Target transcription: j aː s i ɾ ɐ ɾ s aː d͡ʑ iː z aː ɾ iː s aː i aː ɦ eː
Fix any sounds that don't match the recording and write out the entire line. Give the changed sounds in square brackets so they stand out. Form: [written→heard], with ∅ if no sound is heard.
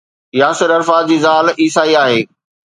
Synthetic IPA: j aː s [i→ɪ] ɾ ɐ ɾ [s→f] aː d͡ʑ iː z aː [ɾ→l] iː s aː i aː ɦ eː